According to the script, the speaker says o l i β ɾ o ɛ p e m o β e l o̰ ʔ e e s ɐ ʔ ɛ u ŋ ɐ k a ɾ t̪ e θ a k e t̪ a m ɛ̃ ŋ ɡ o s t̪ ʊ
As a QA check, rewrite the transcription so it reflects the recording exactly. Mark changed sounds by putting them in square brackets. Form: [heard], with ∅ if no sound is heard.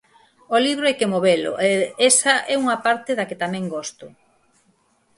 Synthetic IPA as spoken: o l i β ɾ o ɛ [k] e m o β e l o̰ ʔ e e s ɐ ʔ ɛ u ŋ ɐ [p] a ɾ t̪ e [ð] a k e t̪ a m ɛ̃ ŋ ɡ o s t̪ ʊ